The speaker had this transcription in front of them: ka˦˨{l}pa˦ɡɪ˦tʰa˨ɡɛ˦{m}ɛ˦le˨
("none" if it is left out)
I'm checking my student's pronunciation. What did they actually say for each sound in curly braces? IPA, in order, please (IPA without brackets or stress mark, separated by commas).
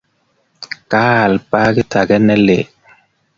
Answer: l, n